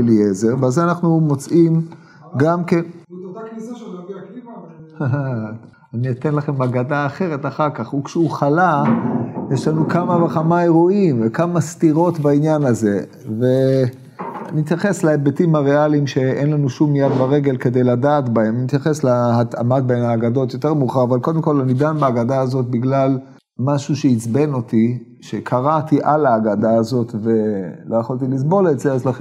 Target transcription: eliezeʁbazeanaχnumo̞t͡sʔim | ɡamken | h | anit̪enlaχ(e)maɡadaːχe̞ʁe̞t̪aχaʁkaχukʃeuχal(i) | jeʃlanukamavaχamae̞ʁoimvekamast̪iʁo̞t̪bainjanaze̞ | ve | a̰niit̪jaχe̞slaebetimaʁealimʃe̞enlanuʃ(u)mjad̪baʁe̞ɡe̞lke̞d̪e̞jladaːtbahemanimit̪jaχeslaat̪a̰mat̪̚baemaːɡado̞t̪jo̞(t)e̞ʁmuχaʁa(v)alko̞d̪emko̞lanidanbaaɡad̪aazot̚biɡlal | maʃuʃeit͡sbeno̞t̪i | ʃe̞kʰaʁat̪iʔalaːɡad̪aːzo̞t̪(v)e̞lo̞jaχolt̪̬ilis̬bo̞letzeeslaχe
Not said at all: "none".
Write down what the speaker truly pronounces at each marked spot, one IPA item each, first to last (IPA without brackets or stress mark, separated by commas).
e, a, u, t, v, v